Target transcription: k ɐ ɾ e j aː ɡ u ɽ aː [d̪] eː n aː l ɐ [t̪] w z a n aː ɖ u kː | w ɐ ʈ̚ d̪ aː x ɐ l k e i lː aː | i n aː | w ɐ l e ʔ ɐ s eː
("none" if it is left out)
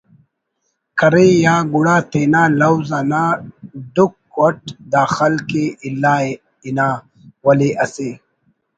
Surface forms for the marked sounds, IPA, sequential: t̪, none

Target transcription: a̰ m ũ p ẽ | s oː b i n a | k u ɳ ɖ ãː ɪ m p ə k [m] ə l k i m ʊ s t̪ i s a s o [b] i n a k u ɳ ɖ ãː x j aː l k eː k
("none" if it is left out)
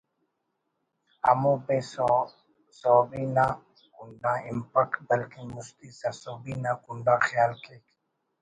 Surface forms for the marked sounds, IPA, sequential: b, b

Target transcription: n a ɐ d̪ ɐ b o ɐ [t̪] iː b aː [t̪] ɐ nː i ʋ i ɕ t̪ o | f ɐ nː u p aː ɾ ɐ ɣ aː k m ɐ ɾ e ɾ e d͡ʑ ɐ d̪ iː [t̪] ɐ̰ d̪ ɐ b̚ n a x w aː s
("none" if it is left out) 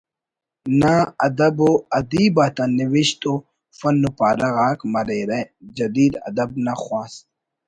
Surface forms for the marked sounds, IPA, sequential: d̪, t̪, d̪

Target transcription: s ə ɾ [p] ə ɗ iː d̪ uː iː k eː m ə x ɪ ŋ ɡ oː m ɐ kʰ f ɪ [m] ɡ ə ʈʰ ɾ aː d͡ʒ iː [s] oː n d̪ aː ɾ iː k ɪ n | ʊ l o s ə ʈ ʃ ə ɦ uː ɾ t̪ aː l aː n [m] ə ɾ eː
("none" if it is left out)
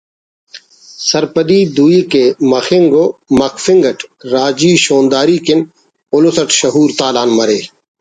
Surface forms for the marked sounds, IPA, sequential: p, ŋ, ʃ, m

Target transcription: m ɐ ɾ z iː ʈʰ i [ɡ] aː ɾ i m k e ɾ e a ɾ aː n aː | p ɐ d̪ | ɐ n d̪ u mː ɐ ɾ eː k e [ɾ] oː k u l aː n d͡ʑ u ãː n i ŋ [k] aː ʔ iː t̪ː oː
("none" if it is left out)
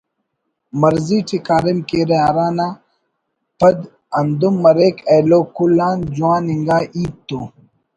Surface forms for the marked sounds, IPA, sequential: k, l, ɡ

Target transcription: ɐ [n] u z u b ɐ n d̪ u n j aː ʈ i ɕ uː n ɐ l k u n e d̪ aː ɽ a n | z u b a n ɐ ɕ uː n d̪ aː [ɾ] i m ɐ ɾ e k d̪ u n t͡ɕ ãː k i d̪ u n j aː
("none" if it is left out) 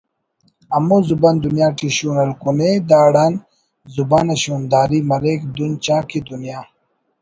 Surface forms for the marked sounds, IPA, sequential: m, ɾ

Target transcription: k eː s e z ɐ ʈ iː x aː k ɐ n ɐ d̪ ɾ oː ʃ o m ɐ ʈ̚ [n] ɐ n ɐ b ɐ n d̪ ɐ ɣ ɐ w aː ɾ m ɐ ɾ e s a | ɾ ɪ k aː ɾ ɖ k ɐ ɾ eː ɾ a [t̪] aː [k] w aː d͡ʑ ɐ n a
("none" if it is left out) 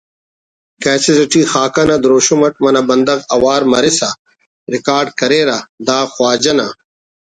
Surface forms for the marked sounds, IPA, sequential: m, d̪, x

